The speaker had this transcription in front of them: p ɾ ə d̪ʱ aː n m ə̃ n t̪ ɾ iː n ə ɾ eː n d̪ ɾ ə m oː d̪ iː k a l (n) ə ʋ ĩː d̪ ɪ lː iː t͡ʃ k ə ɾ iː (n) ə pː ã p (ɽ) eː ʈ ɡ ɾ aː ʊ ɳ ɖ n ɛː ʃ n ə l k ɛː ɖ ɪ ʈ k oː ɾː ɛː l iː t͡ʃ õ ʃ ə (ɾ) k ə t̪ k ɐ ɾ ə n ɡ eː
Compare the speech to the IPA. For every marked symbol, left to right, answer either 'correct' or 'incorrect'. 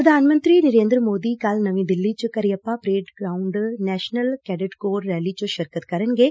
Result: correct, incorrect, incorrect, correct

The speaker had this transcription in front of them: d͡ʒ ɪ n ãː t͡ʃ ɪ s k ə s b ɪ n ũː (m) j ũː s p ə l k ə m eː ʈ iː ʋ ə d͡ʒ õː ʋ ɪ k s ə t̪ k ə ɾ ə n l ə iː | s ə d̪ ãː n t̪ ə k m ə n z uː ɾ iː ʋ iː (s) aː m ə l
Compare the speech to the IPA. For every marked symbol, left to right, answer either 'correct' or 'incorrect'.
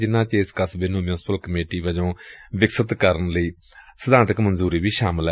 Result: correct, incorrect

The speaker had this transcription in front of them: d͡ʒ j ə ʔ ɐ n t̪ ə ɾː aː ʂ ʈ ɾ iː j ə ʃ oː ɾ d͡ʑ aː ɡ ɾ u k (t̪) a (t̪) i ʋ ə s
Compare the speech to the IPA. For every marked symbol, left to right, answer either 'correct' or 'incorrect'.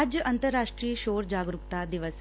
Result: correct, incorrect

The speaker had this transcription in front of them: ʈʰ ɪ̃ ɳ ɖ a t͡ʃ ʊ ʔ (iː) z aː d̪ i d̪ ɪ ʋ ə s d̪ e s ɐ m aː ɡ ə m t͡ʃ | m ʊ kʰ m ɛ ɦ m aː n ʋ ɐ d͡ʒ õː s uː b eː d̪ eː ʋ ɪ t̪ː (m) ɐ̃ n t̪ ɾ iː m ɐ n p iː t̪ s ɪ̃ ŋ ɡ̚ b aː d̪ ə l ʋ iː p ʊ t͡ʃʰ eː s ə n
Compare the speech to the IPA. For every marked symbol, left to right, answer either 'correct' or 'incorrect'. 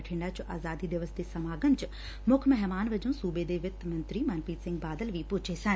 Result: incorrect, correct

